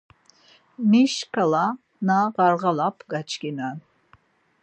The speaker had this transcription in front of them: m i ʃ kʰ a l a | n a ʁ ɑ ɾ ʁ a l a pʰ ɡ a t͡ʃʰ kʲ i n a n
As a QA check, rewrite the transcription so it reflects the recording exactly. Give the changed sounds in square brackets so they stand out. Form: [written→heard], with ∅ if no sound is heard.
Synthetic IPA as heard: m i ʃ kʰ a l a | n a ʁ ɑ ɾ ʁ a l a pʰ ɡ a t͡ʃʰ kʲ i n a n